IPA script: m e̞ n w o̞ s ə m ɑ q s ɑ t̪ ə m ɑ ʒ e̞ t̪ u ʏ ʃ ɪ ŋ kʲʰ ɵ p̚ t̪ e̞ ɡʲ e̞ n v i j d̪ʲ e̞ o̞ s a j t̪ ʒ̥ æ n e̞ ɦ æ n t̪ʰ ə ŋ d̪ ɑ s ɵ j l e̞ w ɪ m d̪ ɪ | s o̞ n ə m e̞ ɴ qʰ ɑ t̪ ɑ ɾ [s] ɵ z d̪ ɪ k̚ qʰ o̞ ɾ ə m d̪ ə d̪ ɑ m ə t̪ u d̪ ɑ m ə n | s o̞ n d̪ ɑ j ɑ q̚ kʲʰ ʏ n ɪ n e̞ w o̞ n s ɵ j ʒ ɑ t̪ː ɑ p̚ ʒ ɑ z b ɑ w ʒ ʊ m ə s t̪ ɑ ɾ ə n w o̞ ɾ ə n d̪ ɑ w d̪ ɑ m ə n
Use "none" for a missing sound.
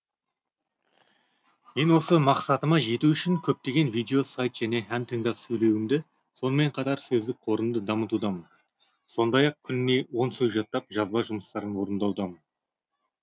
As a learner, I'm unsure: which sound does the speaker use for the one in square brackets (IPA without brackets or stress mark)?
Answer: s